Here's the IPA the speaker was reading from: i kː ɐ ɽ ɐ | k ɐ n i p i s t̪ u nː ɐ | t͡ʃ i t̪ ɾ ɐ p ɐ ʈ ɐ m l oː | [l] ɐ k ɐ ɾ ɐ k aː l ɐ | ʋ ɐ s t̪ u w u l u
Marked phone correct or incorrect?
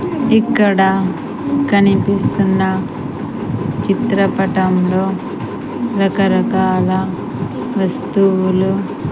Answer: incorrect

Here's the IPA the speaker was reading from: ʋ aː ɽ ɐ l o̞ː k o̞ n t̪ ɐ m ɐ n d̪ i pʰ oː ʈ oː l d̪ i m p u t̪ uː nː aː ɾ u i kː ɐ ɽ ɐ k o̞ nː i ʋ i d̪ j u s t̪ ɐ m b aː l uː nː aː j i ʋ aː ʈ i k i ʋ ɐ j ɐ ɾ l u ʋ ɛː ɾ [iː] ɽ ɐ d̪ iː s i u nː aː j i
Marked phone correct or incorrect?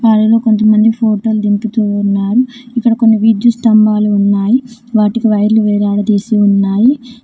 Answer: incorrect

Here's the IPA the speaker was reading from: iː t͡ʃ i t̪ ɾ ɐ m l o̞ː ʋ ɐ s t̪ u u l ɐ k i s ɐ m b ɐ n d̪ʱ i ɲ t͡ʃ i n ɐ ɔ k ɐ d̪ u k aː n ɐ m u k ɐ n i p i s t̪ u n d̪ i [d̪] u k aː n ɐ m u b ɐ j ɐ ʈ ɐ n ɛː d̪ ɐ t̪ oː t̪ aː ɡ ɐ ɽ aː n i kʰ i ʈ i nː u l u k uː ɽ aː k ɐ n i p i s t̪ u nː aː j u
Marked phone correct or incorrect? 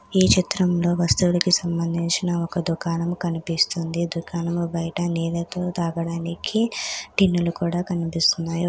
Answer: correct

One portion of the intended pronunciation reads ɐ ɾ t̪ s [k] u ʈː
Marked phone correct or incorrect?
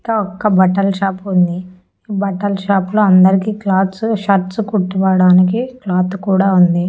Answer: correct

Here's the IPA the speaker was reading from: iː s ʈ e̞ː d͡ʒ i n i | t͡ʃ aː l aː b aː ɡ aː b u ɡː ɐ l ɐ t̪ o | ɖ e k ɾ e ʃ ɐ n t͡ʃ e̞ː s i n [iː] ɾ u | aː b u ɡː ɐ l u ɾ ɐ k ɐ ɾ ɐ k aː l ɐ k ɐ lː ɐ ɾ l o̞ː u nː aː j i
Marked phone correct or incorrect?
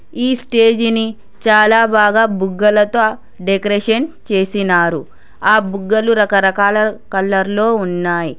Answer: incorrect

